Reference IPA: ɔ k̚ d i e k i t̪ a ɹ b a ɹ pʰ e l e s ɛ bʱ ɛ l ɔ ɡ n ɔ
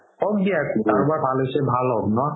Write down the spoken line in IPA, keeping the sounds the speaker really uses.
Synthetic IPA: ɔ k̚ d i a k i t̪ a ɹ b a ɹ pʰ a l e s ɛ bʱ a l ɔ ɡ n ɔ